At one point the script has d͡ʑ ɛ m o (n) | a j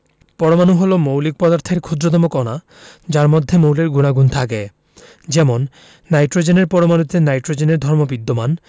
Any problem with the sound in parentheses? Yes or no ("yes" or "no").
yes